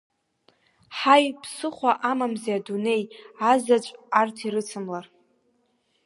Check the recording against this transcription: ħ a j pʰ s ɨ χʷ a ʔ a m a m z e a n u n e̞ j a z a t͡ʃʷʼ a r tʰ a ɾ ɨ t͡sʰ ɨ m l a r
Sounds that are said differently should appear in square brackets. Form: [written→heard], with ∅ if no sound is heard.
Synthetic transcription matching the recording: ħ a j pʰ s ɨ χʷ a ʔ a m a m z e a [n→d] u n e̞ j a z a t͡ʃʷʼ a r tʰ [a→i] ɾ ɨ t͡sʰ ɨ m l a r

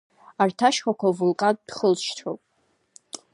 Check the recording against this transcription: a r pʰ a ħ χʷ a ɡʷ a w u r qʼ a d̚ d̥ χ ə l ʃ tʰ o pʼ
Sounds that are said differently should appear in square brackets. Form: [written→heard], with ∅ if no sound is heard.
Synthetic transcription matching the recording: a r [pʰ→tʰ] a [ħ→ʃ] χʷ a [ɡʷ→kʷ] a [w→v] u [r→l] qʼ a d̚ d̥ χ ə l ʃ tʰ o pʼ

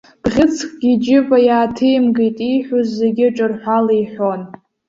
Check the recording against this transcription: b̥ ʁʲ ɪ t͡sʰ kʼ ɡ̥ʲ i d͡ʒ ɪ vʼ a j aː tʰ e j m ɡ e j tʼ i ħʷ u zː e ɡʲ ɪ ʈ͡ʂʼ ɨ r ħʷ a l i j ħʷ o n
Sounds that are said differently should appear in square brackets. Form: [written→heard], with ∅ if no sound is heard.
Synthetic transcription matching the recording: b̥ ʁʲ ɪ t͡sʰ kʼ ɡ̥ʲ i d͡ʒ ɪ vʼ a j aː tʰ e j m ɡ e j tʼ i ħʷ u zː e ɡʲ ɪ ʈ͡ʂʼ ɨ r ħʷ a l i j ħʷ o n

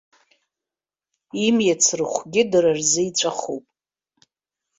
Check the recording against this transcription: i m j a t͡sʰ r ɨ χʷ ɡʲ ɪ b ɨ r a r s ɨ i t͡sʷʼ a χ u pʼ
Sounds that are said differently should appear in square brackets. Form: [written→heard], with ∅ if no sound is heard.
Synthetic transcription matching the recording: i m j a t͡sʰ r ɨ χʷ ɡʲ ɪ [b→d] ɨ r a r [s→z] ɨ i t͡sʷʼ a χ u pʼ

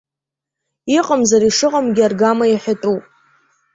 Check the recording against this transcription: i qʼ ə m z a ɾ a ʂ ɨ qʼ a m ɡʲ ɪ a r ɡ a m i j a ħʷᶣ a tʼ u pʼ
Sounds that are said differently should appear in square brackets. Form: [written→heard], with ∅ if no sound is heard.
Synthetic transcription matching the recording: i qʼ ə m z a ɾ [a→i] ʂ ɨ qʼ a m ɡʲ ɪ a r ɡ a m [i→a] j a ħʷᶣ a tʼ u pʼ

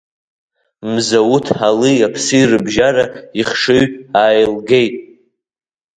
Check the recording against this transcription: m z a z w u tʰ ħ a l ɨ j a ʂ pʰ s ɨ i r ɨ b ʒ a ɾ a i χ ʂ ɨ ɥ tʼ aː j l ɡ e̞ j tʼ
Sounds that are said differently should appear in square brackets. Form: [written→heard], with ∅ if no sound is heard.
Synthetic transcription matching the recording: m z a [z→∅] w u tʰ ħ a l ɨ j a [ʂ→∅] pʰ s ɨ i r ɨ b ʒ a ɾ a i χ ʂ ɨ ɥ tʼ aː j l ɡ e̞ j tʼ

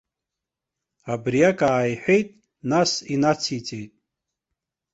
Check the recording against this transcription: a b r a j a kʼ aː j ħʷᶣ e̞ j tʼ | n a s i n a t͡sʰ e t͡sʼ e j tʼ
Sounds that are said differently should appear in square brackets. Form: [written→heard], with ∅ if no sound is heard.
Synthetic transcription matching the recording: a b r [a→i] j a kʼ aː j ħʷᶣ e̞ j tʼ | n a s i n a t͡sʰ [e→i] t͡sʼ e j tʼ

